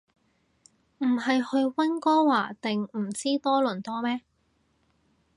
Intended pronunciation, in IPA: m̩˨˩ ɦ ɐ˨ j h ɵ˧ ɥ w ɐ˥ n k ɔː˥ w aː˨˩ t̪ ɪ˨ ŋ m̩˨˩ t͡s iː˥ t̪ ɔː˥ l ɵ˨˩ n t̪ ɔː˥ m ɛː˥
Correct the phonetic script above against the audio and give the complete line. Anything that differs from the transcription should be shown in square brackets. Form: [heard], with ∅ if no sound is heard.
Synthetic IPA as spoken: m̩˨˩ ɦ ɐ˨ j h ɵ˧ ɥ w ɐ˥ n k ɔː˥ w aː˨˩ t̪ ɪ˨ ŋ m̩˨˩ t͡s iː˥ t̪ ɔː˥ l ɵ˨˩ n t̪ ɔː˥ m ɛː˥